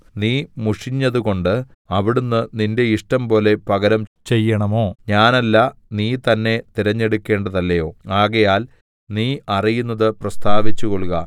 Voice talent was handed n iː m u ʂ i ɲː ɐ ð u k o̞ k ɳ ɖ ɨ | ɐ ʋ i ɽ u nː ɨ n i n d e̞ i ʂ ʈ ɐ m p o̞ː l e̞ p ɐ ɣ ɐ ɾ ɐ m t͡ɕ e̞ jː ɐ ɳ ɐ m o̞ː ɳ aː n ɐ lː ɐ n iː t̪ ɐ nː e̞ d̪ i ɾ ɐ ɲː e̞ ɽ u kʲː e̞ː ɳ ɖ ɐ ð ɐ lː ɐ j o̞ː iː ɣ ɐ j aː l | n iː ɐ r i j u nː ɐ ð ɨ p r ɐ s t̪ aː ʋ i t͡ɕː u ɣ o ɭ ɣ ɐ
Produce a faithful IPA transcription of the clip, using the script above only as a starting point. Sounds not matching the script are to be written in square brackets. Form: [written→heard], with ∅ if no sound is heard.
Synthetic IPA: n iː m u ʂ i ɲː ɐ ð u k o̞ [k→∅] ɳ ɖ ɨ | ɐ ʋ i ɽ u nː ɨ n i n d e̞ i ʂ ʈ ɐ m p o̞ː l e̞ p ɐ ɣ ɐ ɾ ɐ m t͡ɕ e̞ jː ɐ ɳ ɐ m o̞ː [ɳ→ɲ] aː n ɐ lː ɐ n iː t̪ ɐ nː e̞ [d̪→t̪] i ɾ ɐ ɲː e̞ ɽ u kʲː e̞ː ɳ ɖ ɐ ð ɐ lː ɐ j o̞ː [iː→aː] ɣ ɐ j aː l | n iː ɐ r i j u nː ɐ ð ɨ p r ɐ s t̪ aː ʋ i t͡ɕː u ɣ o ɭ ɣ ɐ